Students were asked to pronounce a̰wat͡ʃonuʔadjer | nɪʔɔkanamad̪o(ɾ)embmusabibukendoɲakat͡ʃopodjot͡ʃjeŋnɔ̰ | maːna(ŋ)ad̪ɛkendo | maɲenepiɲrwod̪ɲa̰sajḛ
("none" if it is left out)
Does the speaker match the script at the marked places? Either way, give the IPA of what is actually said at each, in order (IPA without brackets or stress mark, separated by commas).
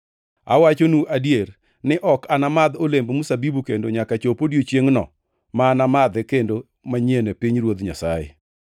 l, m